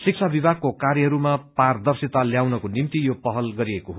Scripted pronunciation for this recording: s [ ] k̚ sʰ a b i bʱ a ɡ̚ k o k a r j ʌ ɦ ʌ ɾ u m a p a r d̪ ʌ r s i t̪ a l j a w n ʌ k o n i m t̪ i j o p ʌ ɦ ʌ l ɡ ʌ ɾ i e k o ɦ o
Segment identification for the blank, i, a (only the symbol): i